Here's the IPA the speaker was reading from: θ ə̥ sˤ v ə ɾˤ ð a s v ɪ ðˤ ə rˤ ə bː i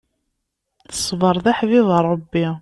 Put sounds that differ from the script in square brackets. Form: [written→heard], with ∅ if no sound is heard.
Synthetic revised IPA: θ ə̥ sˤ v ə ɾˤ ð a [s→ħ] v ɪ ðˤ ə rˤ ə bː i